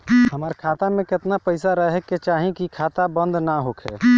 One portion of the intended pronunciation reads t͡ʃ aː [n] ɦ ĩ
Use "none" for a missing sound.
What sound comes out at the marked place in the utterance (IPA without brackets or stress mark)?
none